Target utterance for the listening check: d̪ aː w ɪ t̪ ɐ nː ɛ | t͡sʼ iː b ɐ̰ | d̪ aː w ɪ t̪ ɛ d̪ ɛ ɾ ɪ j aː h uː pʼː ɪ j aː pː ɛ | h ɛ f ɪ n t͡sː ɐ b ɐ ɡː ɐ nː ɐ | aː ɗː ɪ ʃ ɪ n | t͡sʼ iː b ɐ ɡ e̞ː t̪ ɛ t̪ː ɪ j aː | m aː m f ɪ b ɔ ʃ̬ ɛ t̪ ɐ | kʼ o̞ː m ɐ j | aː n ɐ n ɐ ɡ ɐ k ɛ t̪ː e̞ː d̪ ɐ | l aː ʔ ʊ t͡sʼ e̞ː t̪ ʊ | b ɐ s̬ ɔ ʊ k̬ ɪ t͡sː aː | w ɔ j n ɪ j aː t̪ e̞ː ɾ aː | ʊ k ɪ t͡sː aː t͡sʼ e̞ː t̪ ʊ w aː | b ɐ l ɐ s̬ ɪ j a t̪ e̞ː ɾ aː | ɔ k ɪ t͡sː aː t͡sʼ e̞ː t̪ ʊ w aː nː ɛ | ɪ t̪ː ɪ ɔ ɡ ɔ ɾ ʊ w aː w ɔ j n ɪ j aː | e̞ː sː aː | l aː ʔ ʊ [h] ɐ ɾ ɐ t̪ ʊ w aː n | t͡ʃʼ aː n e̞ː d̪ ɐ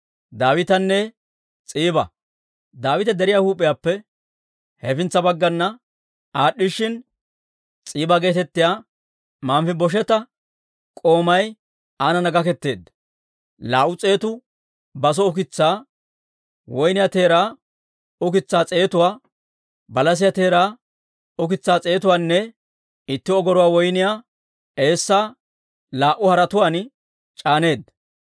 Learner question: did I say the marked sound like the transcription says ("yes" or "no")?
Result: yes